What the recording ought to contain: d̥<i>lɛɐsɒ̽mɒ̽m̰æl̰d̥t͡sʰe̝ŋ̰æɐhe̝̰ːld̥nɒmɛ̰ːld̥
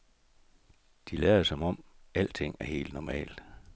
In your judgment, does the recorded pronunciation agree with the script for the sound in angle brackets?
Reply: yes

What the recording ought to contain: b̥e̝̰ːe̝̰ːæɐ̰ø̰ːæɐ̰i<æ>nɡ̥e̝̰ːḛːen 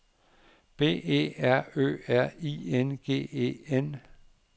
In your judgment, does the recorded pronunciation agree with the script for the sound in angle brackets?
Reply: no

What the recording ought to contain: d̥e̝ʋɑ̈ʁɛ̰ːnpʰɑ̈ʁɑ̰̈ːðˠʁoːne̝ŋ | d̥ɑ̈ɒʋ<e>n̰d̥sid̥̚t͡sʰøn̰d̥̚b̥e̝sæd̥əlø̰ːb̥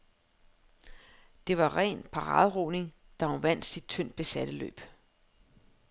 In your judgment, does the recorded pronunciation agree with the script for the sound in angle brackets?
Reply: no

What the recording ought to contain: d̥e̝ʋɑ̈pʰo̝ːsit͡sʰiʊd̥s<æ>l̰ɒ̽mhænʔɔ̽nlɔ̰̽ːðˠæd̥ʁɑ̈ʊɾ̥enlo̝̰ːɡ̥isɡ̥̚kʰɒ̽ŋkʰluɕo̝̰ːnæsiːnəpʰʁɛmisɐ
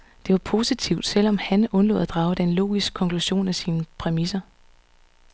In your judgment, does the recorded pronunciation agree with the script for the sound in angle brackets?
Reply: no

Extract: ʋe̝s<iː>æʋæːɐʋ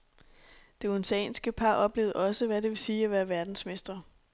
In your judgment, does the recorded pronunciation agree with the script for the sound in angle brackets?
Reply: yes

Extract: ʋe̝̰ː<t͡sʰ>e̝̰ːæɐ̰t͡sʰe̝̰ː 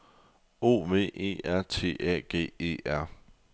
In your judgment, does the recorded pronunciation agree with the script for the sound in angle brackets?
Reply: no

